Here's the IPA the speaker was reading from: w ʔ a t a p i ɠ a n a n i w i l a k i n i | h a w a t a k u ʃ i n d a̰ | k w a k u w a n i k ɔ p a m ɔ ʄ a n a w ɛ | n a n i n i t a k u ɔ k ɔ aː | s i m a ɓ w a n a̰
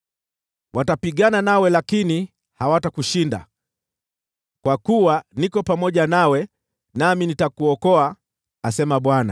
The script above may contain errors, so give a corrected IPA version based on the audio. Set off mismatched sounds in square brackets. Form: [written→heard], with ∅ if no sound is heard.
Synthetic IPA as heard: w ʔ a t a p i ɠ a n a n [i→a] w [i→ɛ] l a k i n i | h a w a t a k u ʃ i n d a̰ | k w a k u w a n i k ɔ p a m ɔ ʄ a n a w ɛ | n a [n→m] i n i t a k u ɔ k ɔ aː | s [i→ɛ] m a ɓ w a n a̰